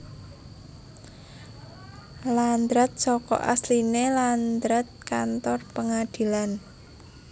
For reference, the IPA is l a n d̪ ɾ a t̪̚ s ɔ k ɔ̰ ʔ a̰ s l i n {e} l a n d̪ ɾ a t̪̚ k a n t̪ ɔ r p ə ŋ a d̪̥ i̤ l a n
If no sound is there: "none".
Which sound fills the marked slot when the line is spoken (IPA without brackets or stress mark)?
e